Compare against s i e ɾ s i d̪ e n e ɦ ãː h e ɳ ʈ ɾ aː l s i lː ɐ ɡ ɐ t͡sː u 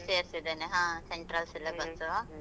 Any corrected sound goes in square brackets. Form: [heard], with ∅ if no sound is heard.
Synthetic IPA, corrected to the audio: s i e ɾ s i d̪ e n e ɦ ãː [s] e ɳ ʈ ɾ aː l s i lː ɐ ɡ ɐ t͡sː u